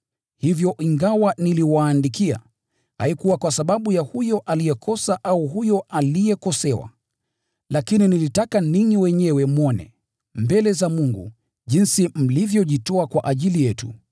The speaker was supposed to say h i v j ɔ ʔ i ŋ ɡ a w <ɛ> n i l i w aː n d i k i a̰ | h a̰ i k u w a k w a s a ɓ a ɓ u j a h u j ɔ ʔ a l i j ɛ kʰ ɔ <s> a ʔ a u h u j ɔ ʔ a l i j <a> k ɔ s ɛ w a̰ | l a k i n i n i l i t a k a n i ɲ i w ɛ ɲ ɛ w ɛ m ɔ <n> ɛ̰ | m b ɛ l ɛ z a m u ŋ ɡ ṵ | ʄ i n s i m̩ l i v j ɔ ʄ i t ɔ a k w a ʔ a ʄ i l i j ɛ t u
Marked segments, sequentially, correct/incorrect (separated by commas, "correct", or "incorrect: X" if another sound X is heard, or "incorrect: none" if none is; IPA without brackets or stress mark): incorrect: a, correct, incorrect: ɛ, correct